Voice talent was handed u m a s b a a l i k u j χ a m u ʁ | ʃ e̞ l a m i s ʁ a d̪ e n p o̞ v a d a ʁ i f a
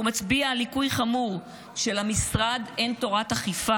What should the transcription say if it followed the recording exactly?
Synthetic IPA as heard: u m a t͡s b i a l i k u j χ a m u ʁ | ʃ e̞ l a m i s ʁ a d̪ e n t o̞ ʁ a t a χ i f a